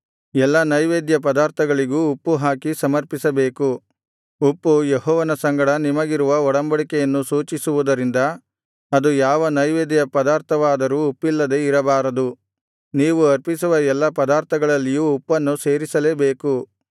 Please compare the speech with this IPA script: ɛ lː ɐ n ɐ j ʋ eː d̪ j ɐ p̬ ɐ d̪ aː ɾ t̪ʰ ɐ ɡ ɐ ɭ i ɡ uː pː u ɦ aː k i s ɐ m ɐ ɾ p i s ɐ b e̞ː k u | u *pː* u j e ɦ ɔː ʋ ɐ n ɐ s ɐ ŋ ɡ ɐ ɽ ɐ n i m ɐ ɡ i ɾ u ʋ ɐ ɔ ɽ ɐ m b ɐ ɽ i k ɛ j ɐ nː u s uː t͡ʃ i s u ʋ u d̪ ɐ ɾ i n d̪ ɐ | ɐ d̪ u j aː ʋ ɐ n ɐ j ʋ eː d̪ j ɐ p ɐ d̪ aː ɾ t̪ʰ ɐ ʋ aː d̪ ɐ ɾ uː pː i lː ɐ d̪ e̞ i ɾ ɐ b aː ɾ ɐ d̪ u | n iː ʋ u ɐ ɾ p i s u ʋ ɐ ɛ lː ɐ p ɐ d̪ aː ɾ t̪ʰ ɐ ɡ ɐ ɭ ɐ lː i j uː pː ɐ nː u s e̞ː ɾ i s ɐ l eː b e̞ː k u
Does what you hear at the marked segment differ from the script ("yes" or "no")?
no